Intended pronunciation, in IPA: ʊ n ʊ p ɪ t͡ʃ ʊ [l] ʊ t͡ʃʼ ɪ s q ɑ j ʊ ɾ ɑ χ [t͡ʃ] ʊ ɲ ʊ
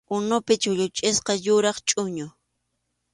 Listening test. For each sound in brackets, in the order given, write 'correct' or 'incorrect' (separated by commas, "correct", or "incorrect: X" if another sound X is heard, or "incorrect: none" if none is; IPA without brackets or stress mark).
incorrect: ʎ, incorrect: t͡ʃʼ